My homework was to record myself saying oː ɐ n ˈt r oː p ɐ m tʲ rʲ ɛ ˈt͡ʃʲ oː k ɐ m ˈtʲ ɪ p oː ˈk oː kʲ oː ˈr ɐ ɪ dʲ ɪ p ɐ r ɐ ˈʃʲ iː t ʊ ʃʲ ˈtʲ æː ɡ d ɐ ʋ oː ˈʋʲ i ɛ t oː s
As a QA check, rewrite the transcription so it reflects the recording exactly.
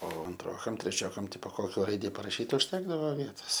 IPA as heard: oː ɐ n ˈt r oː k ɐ m tʲ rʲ ɛ ˈt͡ʃʲ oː k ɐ m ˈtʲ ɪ p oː ˈk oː kʲ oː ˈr ɐ ɪ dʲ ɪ p ɐ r ɐ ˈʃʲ iː t ʊ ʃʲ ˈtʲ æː ɡ d ɐ ʋ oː ˈʋʲ i ɛ t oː s